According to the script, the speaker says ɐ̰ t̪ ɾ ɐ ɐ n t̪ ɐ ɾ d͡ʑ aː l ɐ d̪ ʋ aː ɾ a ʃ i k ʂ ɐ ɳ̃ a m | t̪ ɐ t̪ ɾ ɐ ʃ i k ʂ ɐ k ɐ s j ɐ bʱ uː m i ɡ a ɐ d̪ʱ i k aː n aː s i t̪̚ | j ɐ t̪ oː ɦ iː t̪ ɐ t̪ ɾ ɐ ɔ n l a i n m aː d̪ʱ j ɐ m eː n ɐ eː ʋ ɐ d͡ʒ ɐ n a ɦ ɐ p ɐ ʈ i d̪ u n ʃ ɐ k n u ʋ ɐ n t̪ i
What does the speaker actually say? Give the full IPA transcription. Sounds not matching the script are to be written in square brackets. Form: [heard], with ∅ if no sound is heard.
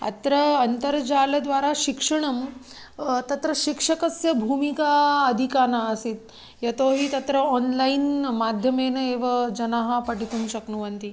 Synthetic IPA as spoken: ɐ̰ t̪ ɾ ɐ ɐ n t̪ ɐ ɾ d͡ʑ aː l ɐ d̪ ʋ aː ɾ a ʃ i k ʂ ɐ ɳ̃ [ɐ] m | t̪ ɐ t̪ ɾ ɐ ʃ i k ʂ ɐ k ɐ s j ɐ bʱ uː m i [k] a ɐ d̪ʱ i k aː n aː s i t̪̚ | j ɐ t̪ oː ɦ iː t̪ ɐ t̪ ɾ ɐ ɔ n l a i n m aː d̪ʱ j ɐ m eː n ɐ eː ʋ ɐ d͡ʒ ɐ n a ɦ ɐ p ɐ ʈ i [t̪] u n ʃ ɐ k n u ʋ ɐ n t̪ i